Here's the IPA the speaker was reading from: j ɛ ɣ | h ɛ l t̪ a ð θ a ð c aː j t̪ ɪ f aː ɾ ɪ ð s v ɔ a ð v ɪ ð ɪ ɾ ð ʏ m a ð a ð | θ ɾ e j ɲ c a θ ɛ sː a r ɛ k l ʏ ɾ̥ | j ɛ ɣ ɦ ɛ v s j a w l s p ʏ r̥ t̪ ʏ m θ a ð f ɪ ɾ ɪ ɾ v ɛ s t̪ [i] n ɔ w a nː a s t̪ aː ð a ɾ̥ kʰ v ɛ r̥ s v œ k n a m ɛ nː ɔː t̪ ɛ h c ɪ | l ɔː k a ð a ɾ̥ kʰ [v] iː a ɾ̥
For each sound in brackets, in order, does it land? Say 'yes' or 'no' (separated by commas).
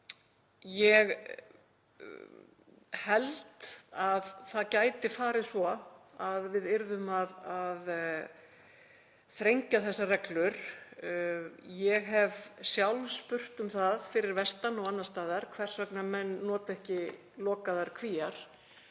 no, yes